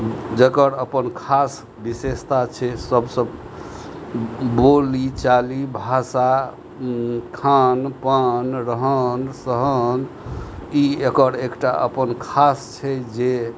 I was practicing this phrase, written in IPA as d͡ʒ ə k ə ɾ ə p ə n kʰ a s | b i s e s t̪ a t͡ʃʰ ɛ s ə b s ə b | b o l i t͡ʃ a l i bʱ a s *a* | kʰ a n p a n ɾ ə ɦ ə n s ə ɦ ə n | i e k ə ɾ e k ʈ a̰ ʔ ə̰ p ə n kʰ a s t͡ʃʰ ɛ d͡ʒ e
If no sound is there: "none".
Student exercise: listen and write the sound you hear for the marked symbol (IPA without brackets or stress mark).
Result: a